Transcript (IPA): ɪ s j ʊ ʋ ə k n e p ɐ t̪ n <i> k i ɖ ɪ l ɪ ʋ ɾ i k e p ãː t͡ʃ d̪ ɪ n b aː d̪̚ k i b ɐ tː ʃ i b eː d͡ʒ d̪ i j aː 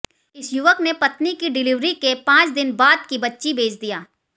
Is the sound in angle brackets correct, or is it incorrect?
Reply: correct